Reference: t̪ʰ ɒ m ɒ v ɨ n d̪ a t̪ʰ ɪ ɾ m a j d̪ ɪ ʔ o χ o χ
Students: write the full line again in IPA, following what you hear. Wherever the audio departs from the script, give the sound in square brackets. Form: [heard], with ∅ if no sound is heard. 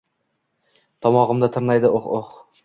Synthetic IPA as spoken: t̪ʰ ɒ m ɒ [ʁ] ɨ [m] d̪ a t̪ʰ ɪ ɾ [n] a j d̪ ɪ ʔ o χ o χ